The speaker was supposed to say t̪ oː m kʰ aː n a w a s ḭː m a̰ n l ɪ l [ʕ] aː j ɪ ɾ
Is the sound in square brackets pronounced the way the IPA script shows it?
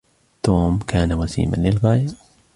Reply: no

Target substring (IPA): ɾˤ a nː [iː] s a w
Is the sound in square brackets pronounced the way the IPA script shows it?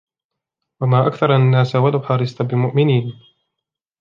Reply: no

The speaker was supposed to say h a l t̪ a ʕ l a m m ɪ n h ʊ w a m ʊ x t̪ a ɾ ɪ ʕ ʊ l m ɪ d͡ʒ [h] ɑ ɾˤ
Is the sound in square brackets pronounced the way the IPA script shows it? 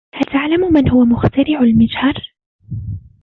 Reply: yes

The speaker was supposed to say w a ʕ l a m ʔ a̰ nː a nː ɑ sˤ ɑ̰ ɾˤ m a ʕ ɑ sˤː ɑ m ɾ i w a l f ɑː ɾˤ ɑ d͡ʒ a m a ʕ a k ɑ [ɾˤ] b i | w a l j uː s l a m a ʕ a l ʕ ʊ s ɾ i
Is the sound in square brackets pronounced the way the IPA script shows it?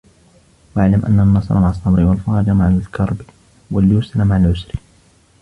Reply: yes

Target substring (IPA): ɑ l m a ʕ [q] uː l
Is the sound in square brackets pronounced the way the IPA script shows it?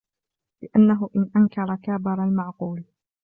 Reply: yes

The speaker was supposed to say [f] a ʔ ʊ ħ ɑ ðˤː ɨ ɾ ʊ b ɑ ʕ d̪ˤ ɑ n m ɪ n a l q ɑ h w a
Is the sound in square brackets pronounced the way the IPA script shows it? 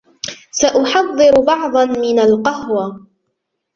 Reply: no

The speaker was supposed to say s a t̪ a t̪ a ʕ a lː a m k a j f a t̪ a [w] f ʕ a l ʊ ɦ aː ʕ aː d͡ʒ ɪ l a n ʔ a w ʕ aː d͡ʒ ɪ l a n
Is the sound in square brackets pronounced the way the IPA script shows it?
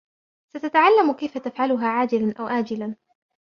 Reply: no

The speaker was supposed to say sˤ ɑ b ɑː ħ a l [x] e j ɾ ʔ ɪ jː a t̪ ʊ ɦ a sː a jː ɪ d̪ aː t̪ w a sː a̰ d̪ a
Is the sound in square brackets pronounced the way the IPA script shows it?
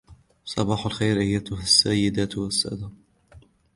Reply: yes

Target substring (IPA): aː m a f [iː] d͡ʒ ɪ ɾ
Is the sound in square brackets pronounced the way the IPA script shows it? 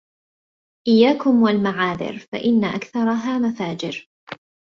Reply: no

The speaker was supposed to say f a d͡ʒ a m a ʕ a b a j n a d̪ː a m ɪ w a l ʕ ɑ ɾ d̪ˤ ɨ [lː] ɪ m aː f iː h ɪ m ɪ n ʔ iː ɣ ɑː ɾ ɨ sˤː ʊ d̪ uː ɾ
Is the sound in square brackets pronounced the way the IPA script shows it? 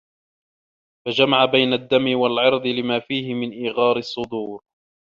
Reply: no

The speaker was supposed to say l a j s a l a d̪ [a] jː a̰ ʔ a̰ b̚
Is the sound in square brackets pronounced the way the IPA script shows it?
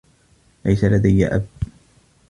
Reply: yes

